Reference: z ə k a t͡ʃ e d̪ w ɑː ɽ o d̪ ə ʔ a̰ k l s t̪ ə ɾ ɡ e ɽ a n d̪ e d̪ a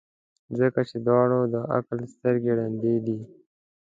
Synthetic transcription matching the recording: z ə k a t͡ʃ e d̪ w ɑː ɽ o d̪ ə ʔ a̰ k l s t̪ ə ɾ ɡ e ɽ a n d̪ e d̪ i